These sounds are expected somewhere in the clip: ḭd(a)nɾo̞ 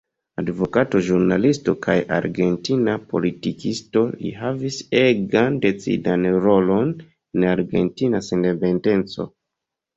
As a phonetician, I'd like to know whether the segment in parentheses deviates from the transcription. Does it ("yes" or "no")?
no